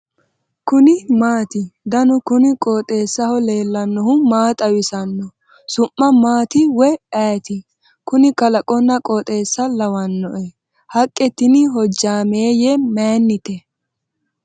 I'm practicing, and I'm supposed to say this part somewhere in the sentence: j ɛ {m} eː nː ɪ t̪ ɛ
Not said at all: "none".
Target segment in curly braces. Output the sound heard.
m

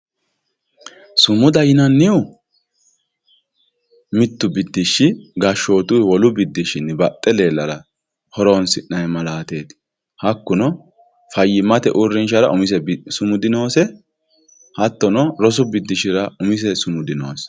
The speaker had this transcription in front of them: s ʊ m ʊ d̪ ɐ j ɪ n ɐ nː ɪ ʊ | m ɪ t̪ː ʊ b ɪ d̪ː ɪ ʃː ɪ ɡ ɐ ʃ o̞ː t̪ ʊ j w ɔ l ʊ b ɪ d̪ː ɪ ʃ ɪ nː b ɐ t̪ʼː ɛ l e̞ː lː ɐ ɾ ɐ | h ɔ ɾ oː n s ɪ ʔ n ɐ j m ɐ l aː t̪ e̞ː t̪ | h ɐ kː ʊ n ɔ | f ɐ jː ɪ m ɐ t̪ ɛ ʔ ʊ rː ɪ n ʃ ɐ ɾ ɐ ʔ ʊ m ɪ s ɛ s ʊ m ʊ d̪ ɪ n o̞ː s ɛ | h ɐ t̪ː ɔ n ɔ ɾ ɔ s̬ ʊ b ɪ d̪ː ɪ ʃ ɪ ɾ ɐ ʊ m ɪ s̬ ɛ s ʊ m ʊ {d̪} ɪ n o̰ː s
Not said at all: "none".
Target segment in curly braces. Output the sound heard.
d̪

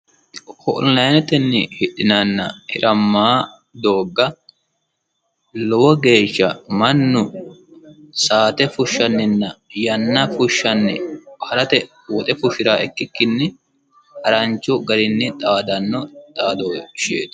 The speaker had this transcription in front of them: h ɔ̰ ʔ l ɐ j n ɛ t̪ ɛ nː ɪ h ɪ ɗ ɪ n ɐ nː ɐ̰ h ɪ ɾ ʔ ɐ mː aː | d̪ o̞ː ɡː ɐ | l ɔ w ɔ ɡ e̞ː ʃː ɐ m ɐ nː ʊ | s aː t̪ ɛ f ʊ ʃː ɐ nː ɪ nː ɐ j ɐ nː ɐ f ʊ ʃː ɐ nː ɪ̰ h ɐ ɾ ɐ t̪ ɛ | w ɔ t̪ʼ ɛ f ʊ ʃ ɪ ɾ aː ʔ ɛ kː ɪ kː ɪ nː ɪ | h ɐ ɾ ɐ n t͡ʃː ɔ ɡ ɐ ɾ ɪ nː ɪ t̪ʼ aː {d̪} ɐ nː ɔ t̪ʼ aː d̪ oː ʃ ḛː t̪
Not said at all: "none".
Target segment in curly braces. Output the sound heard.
d̪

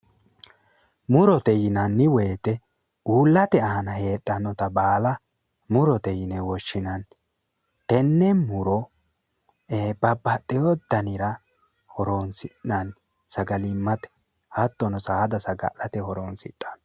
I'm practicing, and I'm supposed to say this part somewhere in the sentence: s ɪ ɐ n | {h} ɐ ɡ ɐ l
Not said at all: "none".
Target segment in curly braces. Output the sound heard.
s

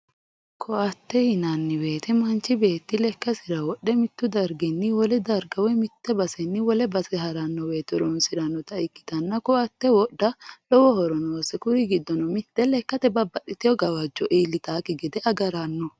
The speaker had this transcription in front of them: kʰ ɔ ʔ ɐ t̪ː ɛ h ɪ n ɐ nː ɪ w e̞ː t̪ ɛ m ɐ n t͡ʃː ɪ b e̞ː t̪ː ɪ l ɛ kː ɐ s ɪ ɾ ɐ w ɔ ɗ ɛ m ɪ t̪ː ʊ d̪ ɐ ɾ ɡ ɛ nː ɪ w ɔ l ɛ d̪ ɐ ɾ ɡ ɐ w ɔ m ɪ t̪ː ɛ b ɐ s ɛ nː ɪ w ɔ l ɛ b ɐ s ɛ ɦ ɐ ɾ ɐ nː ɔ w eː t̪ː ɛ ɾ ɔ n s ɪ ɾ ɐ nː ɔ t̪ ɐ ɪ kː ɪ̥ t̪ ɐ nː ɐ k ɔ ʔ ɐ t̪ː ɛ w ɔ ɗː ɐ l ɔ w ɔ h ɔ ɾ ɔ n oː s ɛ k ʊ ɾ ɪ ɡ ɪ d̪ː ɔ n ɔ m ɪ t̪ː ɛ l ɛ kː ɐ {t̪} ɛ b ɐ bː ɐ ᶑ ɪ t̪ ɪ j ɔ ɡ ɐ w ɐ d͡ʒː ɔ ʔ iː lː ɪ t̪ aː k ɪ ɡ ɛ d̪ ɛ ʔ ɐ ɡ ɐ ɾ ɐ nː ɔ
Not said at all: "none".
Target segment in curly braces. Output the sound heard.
t̪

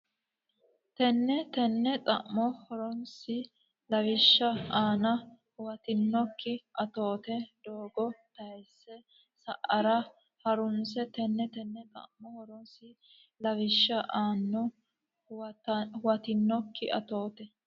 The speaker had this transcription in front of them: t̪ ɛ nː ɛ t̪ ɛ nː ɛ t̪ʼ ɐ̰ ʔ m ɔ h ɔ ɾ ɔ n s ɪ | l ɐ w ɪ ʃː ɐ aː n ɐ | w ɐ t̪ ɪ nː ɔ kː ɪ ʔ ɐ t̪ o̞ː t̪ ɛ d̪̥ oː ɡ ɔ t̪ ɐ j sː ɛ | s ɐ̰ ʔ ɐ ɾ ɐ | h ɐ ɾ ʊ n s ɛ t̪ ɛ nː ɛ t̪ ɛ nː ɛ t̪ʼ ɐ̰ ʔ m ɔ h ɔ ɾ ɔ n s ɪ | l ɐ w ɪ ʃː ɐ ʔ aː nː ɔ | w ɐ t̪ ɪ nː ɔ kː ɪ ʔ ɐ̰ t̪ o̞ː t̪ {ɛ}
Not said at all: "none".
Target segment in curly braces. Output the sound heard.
ɛ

